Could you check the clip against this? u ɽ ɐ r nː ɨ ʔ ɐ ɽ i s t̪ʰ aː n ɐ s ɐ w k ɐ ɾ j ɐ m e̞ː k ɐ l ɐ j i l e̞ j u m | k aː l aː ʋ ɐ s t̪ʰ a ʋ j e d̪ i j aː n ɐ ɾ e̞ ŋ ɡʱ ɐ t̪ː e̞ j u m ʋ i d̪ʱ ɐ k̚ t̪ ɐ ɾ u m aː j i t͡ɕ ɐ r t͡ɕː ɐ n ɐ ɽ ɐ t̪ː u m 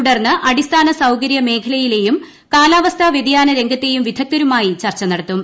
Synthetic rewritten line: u ɽ ɐ r nː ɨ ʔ ɐ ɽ i s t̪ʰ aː n ɐ s ɐ w k ɐ ɾ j ɐ m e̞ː kʰ ɐ l ɐ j i l e̞ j u m | k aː l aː ʋ ɐ s t̪ʰ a ʋ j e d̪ i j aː n ɐ ɾ e̞ ŋ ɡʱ ɐ t̪ː e̞ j u m ʋ i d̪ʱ ɐ k̚ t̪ ɐ ɾ u m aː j i t͡ɕ ɐ r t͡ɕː ɐ n ɐ ɽ ɐ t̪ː u m